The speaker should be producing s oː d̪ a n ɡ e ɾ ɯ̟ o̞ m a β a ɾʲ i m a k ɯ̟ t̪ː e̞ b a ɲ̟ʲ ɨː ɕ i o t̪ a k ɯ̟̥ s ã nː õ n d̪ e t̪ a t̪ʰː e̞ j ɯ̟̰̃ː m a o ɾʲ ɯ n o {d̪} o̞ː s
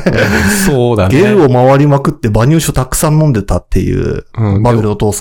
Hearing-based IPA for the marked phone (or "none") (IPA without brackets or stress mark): t̪